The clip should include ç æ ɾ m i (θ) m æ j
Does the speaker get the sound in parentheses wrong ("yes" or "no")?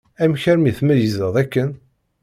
no